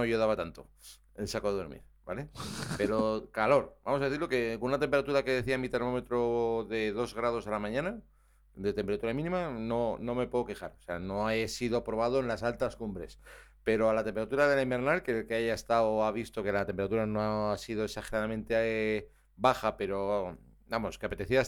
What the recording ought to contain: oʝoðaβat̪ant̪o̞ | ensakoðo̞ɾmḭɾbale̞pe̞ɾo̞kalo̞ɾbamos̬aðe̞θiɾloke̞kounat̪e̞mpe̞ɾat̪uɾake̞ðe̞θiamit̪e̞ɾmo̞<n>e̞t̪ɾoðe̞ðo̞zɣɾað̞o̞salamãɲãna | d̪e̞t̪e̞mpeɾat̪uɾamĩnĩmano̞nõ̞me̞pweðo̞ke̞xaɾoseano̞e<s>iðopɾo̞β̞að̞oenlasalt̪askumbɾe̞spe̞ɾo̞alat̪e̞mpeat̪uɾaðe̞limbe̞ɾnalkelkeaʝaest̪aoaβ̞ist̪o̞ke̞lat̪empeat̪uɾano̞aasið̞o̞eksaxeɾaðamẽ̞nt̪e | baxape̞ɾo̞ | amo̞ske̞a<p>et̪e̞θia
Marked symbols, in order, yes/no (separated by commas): no, yes, yes